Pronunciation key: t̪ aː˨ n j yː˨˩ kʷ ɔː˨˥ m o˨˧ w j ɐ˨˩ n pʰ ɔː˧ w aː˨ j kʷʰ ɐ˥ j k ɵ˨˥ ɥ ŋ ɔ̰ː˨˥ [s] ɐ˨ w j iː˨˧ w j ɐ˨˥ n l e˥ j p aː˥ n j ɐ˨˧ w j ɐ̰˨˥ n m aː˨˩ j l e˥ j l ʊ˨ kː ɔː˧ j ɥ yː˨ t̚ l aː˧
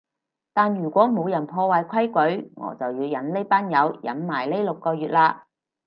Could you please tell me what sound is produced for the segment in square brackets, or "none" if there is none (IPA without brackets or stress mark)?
t͡s